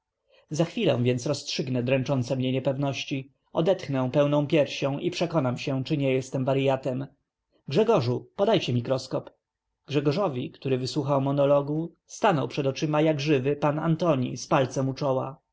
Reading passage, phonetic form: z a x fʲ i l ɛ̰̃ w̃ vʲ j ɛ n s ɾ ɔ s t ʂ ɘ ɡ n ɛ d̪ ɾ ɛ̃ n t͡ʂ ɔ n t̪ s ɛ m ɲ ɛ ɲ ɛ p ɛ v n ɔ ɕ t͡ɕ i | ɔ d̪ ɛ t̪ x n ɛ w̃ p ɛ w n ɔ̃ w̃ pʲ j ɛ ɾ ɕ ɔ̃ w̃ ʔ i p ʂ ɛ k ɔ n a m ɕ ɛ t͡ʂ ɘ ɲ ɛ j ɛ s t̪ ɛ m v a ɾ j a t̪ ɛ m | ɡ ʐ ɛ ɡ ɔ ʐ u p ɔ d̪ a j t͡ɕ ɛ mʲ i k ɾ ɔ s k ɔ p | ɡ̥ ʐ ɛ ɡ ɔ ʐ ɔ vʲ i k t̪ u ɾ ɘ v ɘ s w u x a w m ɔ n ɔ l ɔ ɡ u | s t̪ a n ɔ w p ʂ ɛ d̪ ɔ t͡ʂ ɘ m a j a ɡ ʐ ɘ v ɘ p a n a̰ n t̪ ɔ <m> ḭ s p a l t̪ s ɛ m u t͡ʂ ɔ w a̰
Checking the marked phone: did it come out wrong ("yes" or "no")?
yes